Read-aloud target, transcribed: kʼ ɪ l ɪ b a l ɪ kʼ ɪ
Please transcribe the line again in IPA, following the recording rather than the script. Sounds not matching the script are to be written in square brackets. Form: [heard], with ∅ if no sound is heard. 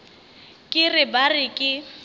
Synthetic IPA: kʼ ɪ [r] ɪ b a [r] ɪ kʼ ɪ

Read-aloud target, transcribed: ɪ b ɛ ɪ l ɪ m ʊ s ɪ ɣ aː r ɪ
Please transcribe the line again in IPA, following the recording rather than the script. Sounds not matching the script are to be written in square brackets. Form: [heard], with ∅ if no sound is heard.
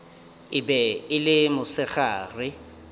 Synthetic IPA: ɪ b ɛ ɪ l ɪ m ʊ s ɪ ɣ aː r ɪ

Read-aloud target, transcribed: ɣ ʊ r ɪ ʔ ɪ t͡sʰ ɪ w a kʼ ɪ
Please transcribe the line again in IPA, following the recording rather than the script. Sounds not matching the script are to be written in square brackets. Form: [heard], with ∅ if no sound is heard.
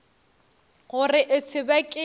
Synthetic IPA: ɣ ʊ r ɪ ʔ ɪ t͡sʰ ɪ [b] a kʼ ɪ

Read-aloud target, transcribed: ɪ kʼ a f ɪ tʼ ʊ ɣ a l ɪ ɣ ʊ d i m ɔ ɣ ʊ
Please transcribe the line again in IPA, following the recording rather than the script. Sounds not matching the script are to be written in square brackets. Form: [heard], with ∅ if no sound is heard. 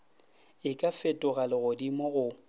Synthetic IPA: ɪ kʼ a f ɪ tʼ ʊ ɣ a l ɪ ɣ ʊ d i m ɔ ɣ ʊ

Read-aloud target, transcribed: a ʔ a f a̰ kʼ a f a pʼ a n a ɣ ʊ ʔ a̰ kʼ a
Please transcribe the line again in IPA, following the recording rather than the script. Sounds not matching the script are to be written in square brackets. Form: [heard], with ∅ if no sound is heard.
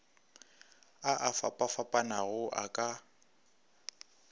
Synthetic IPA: a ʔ a f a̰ [pʼ] a f a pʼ a n a ɣ ʊ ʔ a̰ kʼ a

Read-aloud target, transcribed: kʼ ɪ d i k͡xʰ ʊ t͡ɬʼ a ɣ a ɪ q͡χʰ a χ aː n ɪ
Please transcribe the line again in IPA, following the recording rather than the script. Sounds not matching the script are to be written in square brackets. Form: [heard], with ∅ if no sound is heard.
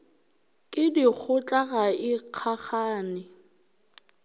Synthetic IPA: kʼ ɪ d i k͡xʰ ʊ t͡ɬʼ a ɣ a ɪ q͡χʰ a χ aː n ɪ

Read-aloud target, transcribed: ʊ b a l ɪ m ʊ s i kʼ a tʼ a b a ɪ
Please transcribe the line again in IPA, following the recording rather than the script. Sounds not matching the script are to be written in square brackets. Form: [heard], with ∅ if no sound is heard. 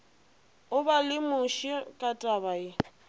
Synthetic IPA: ʊ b a l ɪ m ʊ [ʃ] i kʼ a tʼ a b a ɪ

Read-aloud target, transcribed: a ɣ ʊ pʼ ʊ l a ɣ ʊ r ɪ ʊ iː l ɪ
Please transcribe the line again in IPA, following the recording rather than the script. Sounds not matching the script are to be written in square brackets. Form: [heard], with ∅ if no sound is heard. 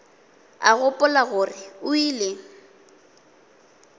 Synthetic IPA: a ɣ ʊ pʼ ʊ l a ɣ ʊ r ɪ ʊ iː l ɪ

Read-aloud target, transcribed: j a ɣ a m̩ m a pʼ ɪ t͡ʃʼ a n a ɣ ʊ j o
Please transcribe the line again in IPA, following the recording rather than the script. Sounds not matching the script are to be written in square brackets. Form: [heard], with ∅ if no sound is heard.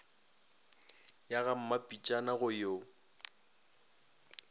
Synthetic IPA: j a ɣ a m̩ m a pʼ [i] t͡ʃʼ a n a ɣ ʊ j o

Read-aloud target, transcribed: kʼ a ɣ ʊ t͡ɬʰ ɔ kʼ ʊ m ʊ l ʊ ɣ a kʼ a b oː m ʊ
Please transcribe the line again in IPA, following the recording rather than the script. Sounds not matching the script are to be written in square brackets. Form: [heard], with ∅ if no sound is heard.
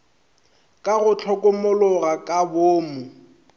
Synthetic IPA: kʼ a ɣ ʊ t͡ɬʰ ɔ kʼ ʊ m ʊ l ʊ ɣ a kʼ a b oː m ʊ

